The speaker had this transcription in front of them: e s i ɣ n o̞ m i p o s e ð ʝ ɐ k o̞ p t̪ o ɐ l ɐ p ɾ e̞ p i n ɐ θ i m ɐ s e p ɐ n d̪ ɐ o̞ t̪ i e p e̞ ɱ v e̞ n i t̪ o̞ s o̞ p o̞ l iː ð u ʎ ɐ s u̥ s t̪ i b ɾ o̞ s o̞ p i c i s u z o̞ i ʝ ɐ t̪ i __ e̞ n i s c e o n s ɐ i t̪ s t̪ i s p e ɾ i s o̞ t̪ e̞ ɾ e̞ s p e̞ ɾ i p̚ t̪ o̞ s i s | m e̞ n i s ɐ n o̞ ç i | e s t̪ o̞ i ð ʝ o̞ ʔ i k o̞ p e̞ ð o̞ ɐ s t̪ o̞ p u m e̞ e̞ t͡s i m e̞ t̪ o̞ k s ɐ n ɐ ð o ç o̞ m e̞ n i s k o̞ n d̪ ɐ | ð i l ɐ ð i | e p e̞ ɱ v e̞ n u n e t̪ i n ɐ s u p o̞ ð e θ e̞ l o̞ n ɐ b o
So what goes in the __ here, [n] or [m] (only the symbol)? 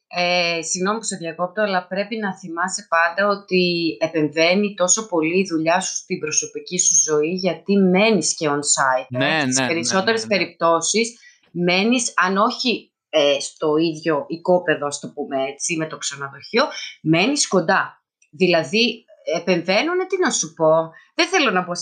m